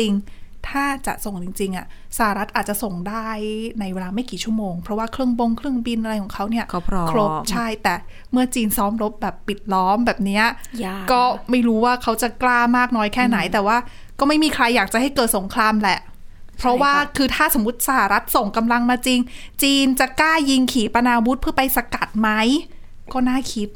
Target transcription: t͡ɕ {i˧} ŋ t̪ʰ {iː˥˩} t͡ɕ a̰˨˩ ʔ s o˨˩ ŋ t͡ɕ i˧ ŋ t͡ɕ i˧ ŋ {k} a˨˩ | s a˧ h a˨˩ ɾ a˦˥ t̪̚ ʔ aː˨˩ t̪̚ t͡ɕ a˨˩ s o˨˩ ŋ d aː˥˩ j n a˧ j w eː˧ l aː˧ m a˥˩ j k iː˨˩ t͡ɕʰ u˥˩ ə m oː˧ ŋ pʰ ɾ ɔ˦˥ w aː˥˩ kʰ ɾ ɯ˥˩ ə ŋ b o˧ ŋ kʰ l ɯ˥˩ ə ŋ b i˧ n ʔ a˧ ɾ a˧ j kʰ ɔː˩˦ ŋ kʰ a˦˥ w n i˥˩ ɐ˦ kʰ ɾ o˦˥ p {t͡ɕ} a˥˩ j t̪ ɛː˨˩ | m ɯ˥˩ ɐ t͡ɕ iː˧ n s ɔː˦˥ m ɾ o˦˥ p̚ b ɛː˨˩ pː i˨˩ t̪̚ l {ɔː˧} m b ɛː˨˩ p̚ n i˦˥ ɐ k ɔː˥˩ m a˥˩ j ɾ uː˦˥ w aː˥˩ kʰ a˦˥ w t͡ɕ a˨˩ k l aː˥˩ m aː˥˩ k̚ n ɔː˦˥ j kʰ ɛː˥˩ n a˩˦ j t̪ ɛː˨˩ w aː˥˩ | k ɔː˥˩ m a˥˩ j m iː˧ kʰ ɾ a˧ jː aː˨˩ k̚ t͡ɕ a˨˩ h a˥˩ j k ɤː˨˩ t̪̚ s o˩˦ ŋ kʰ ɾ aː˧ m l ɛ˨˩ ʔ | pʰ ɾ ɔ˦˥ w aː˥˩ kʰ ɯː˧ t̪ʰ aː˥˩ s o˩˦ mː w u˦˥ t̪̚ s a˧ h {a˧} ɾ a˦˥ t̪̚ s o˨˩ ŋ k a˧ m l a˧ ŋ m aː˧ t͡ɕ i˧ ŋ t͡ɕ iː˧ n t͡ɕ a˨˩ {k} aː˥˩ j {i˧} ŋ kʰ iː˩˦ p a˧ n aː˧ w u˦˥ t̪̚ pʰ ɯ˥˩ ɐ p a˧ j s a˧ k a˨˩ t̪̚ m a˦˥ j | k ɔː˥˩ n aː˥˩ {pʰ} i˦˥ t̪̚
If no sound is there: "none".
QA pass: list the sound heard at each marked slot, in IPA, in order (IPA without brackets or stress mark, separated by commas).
i˧, aː˥˩, ʔ, t͡ɕʰ, ɔː˦˥, a˨˩, k, i˧, kʰ